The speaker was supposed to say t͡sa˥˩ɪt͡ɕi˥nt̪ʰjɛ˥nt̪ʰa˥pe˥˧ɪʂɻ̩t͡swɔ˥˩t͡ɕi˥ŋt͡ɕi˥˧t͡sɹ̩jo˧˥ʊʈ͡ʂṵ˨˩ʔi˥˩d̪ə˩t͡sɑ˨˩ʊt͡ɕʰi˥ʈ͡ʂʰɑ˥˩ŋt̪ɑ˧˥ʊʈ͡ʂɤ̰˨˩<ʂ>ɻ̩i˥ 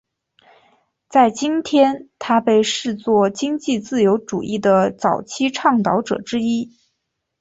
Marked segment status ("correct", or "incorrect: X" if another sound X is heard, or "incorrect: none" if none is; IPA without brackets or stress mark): incorrect: ʈ͡ʂ